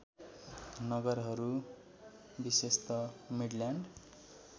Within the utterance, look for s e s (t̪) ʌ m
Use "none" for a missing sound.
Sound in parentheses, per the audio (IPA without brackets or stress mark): t̪